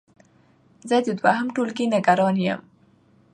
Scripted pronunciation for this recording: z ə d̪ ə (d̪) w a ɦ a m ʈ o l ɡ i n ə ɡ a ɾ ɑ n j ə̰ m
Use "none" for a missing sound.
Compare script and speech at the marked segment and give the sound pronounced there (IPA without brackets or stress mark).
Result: d̪